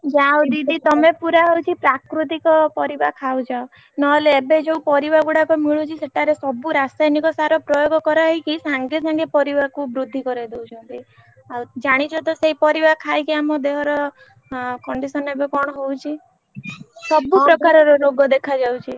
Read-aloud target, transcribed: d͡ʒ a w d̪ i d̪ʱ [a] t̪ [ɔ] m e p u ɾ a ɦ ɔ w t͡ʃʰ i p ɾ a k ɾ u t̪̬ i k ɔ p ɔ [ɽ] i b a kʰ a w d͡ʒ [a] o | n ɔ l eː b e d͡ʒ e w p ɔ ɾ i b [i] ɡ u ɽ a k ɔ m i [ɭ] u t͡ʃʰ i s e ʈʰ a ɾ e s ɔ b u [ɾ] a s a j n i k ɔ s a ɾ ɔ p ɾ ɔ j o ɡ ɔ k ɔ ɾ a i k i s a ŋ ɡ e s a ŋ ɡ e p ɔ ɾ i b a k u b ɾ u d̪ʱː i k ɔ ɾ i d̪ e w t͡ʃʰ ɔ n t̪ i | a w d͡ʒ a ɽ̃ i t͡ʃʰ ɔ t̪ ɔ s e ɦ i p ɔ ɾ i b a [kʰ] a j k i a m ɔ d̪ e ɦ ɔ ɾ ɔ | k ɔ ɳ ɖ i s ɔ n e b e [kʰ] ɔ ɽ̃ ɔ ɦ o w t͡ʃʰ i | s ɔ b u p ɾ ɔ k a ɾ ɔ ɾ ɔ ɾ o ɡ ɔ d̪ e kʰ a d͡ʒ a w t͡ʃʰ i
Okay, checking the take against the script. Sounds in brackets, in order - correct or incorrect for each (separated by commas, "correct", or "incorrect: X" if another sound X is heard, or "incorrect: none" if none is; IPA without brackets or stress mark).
incorrect: i, correct, incorrect: ɾ, correct, incorrect: a, correct, correct, correct, incorrect: k